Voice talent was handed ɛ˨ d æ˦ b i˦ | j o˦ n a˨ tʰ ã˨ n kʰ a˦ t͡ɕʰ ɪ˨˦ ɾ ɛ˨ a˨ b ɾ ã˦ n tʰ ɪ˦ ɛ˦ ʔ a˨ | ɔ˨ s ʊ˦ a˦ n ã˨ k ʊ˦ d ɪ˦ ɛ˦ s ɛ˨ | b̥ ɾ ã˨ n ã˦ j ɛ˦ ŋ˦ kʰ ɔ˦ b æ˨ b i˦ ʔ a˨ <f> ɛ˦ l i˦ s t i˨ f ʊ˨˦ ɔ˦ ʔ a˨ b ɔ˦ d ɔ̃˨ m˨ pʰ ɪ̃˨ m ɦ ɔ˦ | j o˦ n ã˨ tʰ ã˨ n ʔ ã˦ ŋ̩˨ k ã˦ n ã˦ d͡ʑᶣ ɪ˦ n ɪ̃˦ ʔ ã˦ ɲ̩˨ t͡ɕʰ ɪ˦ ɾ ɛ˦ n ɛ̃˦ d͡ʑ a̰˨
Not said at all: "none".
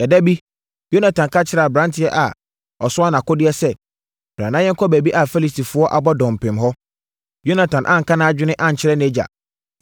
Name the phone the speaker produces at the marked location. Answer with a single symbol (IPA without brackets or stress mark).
f